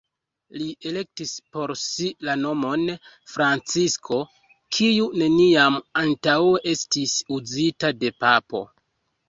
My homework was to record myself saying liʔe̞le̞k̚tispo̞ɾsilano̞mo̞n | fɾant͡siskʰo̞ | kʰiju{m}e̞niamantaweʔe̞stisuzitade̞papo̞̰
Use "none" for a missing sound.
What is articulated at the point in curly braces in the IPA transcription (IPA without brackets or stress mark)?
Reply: n